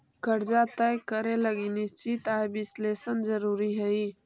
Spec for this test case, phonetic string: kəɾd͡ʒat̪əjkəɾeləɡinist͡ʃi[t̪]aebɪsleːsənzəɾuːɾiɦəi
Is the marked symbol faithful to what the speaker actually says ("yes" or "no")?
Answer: yes